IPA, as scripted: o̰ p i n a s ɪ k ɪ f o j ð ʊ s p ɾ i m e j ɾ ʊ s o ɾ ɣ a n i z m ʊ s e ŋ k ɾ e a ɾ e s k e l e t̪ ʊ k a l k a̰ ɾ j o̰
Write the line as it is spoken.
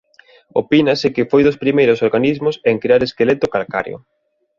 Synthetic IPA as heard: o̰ p i n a s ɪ k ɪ f o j ð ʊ s p ɾ i m e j ɾ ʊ s o ɾ ɣ a n i z m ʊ s e ŋ k ɾ e a ɾ e s k e l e t̪ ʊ k a l k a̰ ɾ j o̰